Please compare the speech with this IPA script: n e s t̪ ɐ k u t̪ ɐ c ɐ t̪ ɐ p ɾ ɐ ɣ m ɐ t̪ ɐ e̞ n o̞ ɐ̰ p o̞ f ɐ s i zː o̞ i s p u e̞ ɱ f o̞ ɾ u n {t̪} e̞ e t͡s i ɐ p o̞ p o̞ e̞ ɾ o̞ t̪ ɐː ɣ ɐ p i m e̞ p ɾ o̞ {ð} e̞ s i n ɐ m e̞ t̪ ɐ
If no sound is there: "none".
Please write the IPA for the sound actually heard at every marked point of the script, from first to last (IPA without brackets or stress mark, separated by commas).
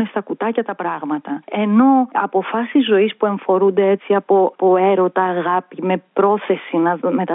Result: d̪, θ